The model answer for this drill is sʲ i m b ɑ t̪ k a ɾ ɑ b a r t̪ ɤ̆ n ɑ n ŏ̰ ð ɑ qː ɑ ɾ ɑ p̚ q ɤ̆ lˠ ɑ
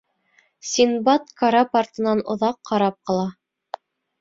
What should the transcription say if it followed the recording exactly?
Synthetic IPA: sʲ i n b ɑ t̪ k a ɾ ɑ p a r t̪ ɤ̆ n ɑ n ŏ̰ ð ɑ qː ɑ ɾ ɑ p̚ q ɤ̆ lˠ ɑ